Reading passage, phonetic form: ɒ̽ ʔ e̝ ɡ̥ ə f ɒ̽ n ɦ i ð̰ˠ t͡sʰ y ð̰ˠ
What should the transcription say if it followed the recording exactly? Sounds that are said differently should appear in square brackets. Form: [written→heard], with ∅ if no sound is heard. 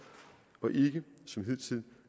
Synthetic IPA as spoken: ɒ̽ ʔ e̝ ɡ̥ ə [f→s] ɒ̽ [n→m] ɦ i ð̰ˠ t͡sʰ [y→i] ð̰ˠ